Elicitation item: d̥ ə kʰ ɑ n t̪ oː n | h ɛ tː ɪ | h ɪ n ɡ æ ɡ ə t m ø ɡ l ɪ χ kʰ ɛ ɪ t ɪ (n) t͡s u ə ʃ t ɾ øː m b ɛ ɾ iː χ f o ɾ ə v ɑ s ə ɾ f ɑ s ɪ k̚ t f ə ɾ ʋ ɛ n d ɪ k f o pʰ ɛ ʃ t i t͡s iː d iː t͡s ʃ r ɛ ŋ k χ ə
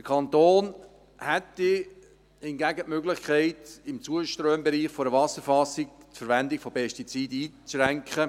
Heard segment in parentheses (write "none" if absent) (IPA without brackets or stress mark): m